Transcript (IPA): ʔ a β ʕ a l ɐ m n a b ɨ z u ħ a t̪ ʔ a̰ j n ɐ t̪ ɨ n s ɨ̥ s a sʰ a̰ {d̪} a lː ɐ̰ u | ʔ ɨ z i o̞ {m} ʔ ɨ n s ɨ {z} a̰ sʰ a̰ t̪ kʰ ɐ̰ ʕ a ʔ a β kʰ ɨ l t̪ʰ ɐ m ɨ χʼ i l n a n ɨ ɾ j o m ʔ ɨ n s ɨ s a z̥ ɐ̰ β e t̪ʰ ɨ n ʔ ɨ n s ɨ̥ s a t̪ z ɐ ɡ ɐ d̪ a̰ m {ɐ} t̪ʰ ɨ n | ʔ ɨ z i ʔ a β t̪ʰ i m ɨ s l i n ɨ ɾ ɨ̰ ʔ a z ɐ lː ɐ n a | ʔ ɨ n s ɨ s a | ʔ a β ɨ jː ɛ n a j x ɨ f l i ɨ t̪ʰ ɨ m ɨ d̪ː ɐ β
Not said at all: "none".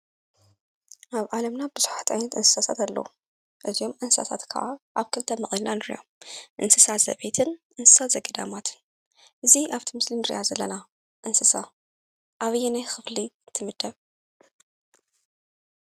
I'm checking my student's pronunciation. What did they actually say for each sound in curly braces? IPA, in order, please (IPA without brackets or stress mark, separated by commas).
t̪, m, s, a